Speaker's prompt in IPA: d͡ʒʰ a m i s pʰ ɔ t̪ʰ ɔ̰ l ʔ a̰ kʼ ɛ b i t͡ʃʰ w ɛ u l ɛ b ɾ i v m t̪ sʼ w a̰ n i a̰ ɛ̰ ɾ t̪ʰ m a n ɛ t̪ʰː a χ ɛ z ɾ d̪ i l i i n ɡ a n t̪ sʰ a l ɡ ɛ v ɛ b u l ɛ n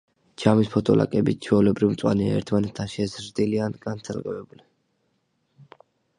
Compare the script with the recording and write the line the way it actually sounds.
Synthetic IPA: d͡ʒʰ a m i s pʰ ɔ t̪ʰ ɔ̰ l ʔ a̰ kʼ ɛ b i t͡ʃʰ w ɛ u l ɛ b ɾ i v m t̪ sʼ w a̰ n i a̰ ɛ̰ ɾ t̪ʰ m a n ɛ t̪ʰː a ʃ ɛ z ɾ d̪ i l i a n ɡ a n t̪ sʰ a l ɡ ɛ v ɛ b u l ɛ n